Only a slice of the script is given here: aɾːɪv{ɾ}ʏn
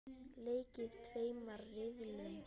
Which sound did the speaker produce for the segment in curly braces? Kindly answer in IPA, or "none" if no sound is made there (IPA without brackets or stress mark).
l